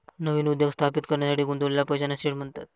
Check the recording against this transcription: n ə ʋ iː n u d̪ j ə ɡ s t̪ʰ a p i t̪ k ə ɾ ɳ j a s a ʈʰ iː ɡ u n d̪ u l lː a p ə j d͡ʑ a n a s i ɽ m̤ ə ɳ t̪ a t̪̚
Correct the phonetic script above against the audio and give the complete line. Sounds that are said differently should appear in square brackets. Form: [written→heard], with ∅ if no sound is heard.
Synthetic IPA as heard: n ə ʋ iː n u d̪ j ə ɡ s t̪ʰ a p i t̪ k ə ɾ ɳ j a s a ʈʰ iː ɡ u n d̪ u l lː a p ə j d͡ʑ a n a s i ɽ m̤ ə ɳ t̪ a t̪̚